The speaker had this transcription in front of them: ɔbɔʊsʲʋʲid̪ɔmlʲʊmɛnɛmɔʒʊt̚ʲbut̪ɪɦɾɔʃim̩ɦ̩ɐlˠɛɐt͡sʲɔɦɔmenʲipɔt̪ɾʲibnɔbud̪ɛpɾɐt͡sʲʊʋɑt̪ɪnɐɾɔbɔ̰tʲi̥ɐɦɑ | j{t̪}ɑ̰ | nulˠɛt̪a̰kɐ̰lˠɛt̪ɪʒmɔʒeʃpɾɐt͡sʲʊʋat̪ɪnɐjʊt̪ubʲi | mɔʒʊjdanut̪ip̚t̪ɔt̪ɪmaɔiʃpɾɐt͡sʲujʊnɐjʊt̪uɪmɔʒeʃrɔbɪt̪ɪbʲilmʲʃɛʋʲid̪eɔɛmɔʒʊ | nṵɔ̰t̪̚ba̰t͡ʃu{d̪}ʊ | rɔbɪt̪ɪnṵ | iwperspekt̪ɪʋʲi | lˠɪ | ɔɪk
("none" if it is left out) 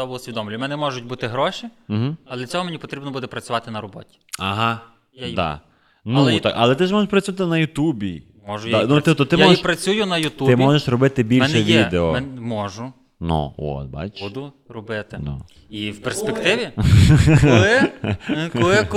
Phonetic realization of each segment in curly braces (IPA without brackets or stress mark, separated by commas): d̪, d̪